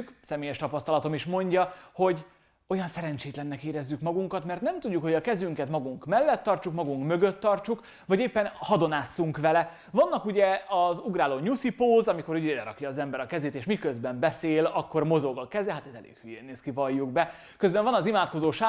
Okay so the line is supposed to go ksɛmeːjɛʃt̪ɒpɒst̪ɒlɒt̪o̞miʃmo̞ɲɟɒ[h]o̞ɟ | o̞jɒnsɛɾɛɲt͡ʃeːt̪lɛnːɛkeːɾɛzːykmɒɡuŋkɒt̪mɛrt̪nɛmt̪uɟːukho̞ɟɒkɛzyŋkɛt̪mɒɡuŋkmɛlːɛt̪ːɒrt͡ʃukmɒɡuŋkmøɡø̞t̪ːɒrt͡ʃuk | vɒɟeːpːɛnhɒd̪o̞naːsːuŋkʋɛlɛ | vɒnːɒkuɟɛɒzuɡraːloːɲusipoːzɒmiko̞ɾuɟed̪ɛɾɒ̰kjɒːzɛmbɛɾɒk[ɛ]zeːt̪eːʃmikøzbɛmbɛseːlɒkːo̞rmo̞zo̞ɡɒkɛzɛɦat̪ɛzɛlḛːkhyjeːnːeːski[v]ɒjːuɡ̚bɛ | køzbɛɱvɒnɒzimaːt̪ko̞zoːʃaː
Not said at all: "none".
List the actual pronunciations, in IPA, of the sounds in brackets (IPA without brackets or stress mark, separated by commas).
h, ɛ, v